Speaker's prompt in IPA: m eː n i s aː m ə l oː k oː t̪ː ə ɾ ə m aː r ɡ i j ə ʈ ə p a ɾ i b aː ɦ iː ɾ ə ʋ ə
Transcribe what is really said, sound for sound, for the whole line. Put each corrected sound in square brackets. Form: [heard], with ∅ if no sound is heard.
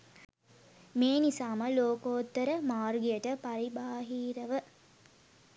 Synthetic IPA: m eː n i s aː m ə l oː k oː t̪ː ə ɾ ə m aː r ɡ i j ə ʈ ə p a ɾ i b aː ɦ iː ɾ ə ʋ ə